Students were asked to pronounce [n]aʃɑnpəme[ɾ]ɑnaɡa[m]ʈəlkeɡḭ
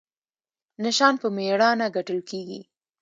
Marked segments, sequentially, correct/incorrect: correct, incorrect: ɽ, incorrect: none

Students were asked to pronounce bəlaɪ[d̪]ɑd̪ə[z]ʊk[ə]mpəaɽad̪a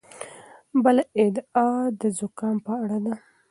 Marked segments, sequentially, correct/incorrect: correct, correct, incorrect: ɑ

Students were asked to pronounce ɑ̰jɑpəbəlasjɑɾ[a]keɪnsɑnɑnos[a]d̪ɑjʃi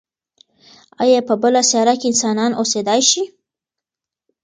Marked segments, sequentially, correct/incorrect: correct, incorrect: e

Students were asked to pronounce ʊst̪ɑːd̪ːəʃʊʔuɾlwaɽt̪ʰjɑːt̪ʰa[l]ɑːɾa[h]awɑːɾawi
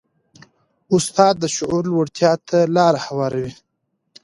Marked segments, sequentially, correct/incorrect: correct, correct

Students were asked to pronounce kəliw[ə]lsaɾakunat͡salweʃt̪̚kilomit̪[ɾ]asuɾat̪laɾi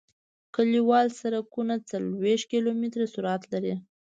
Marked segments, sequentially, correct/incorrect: incorrect: ɑ, correct

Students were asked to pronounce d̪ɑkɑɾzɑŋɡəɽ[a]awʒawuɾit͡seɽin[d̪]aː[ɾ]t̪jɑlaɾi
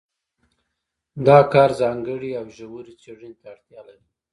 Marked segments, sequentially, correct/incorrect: incorrect: i, incorrect: t̪, incorrect: ɽ

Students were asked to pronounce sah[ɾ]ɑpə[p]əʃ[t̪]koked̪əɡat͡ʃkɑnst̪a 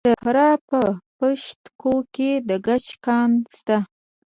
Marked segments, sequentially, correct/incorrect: correct, correct, correct

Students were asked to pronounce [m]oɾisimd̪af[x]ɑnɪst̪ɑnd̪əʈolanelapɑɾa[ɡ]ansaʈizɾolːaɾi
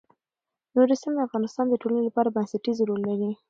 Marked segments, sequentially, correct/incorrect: incorrect: n, incorrect: ɣ, incorrect: b

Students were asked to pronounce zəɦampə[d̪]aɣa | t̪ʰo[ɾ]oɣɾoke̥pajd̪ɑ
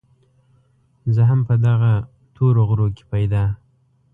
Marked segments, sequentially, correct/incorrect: correct, correct

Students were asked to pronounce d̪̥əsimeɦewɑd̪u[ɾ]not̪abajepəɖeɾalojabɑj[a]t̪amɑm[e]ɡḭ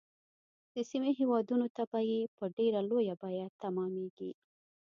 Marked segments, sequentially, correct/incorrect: incorrect: none, correct, correct

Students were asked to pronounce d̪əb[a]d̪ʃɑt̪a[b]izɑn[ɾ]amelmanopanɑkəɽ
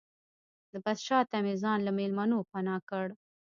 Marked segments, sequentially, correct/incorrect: correct, incorrect: m, incorrect: l

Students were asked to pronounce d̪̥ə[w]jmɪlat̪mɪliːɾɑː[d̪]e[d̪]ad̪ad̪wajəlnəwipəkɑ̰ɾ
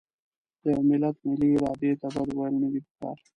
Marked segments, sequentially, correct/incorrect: incorrect: none, correct, incorrect: t̪

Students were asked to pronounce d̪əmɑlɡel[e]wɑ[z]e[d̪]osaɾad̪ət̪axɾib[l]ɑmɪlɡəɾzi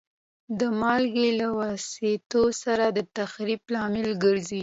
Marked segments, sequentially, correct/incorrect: incorrect: a, incorrect: s, incorrect: t̪, correct

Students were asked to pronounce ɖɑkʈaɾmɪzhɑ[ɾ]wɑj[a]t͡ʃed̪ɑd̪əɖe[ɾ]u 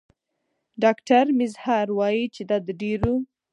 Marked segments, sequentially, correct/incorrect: correct, incorrect: i, correct

